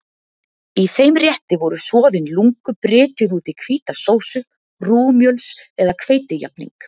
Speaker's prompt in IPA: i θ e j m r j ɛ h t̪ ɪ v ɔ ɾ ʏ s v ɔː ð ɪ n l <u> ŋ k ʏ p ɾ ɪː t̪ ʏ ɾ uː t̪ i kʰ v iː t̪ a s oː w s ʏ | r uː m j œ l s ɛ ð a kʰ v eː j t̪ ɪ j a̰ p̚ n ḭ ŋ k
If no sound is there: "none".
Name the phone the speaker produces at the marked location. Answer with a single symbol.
u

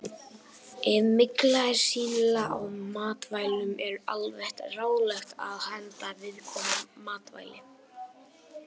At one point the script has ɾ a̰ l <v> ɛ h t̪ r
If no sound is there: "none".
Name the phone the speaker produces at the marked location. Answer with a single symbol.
v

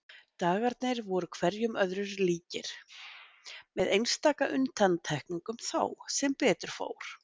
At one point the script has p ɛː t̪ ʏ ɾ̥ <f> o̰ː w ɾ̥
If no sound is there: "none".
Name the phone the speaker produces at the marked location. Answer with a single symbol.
f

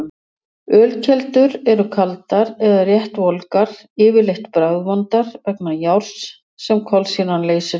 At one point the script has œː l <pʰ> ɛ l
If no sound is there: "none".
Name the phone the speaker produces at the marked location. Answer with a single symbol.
cʰ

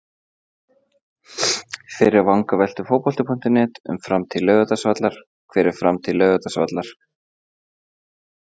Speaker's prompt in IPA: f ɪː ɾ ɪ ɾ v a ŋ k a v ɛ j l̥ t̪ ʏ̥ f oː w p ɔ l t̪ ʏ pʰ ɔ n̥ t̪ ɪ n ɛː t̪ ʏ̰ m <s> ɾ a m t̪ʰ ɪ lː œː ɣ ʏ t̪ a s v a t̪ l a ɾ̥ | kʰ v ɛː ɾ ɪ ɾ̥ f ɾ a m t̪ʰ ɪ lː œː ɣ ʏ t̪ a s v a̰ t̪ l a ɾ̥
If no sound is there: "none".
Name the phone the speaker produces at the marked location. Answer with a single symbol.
f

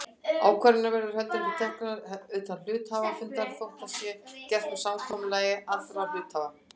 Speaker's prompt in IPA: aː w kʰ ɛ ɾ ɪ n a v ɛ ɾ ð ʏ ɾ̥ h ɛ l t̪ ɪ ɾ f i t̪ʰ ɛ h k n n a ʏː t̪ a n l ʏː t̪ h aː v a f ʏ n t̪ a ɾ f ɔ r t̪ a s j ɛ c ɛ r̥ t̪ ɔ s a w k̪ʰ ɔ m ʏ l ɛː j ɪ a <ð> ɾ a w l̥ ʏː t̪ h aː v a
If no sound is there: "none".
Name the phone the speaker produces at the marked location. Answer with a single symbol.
θ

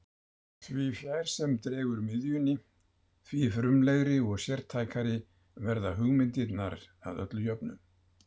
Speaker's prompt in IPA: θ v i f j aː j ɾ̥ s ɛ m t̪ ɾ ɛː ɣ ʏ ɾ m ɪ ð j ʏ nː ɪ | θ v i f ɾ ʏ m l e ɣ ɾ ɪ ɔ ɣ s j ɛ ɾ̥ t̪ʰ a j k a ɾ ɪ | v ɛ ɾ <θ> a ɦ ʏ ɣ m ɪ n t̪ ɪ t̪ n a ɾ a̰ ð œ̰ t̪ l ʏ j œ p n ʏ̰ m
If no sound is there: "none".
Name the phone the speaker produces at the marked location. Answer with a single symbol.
ð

